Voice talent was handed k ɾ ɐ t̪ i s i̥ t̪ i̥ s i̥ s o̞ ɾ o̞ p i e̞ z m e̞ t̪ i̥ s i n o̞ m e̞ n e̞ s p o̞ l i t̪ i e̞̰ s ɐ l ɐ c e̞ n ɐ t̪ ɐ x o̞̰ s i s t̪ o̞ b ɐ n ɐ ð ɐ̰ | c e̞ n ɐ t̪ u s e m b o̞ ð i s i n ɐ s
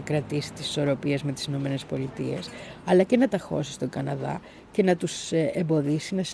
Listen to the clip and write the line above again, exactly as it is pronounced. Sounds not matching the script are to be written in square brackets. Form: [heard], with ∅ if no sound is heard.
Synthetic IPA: k ɾ ɐ t̪ i s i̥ t̪ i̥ s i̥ s o̞ ɾ o̞ p i e̞ z m e̞ t̪ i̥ s i n o̞ m e̞ n e̞ s p o̞ l i t̪ i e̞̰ s ɐ l ɐ c e̞ n ɐ t̪ ɐ x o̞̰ s i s t̪ o̞ [ɡ] ɐ n ɐ ð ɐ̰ | c e̞ n ɐ t̪ u s e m b o̞ ð i s i n ɐ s